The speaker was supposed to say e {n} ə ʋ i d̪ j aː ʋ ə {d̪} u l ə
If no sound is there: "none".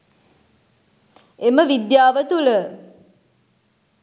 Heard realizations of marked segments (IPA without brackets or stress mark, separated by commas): m, t̪